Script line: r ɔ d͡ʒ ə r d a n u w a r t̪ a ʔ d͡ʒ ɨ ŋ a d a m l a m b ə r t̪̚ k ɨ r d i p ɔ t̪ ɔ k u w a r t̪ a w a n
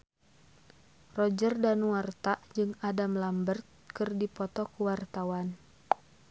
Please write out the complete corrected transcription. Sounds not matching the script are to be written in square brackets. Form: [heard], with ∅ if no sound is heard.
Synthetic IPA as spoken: r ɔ d͡ʒ ə r d a n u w a r t̪ a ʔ d͡ʒ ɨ ŋ a d a m l a m b ə r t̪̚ k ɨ r d i p ɔ t̪ ɔ k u w a r t̪ a w a n